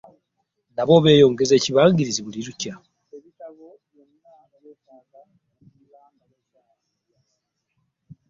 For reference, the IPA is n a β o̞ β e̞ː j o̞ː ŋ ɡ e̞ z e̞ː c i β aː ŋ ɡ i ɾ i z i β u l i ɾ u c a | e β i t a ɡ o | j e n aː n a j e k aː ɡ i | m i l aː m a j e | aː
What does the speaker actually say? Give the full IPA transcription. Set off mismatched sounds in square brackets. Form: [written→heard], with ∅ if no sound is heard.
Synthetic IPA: n a β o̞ β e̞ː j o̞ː ŋ ɡ e̞ z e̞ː c i β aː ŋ ɡ i ɾ i z i β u l i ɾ u c a | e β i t a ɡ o | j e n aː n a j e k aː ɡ [i→a] | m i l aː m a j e | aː